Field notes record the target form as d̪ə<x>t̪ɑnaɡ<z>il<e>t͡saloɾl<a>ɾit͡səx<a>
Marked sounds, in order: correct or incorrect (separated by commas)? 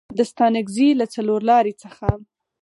incorrect, correct, incorrect, incorrect, correct